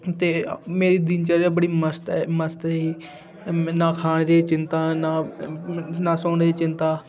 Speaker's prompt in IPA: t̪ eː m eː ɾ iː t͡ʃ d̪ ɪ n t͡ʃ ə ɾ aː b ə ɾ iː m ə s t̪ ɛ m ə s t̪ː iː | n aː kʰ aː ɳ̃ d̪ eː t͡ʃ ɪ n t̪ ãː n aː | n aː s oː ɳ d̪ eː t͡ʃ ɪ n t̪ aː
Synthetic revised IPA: t̪ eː m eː ɾ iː d̪ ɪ n t͡ʃ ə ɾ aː b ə ɽ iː m ə s t̪ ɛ m ə s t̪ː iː | n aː kʰ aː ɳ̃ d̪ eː t͡ʃ ɪ n t̪ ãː n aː | n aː s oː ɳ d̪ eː t͡ʃ ɪ n t̪ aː